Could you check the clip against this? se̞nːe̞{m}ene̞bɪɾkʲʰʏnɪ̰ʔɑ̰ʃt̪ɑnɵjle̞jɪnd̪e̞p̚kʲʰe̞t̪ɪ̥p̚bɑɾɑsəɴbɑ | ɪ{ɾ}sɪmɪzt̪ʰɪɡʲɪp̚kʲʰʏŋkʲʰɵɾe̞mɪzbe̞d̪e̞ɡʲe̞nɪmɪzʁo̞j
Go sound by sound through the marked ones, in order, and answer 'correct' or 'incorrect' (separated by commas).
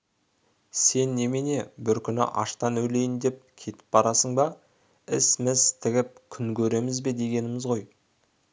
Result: correct, incorrect